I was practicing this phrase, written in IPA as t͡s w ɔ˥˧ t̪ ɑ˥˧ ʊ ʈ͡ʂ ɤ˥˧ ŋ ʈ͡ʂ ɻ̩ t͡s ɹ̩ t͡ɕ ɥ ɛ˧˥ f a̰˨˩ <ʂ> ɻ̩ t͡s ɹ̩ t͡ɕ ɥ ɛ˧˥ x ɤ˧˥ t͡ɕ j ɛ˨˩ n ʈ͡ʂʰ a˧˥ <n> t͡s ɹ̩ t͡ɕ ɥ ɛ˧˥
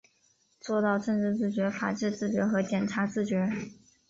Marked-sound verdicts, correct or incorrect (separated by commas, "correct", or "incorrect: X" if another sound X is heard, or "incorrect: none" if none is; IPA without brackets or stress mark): incorrect: ʈ͡ʂ, incorrect: none